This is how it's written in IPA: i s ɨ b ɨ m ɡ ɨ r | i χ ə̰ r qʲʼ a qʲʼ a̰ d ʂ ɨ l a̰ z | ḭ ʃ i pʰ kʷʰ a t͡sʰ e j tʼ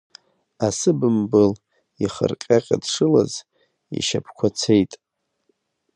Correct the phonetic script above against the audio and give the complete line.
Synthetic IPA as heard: a s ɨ b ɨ m b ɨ l | i χ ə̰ r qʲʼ a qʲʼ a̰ d ʂ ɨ l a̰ z | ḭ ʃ a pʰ kʷʰ a t͡sʰ e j tʼ